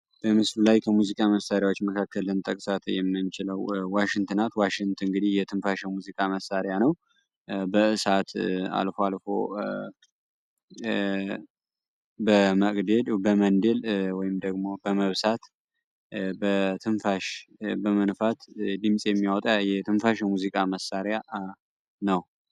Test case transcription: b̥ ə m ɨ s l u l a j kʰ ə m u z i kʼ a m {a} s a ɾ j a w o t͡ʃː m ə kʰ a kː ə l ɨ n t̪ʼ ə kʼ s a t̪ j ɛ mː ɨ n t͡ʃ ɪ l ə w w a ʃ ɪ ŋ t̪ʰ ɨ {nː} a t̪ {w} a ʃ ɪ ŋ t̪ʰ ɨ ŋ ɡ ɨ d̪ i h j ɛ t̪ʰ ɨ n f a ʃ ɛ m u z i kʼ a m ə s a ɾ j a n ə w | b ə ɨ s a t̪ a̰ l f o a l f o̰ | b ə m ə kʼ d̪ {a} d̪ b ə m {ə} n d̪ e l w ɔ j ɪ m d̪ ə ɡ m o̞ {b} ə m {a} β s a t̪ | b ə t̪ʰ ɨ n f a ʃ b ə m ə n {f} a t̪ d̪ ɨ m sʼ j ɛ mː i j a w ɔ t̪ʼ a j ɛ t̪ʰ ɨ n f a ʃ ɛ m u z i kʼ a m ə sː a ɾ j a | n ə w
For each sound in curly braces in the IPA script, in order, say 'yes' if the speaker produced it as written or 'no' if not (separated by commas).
no, no, yes, no, yes, yes, no, yes